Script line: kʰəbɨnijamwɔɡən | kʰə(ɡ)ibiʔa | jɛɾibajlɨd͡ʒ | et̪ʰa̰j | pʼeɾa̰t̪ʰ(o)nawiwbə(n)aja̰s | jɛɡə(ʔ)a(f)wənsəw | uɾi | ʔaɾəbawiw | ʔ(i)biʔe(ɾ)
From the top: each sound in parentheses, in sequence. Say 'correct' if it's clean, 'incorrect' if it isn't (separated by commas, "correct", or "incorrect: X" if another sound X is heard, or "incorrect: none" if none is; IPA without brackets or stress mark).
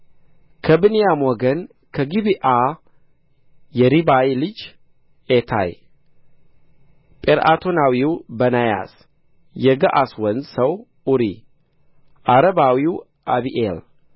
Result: correct, correct, correct, correct, incorrect: s, incorrect: a, incorrect: l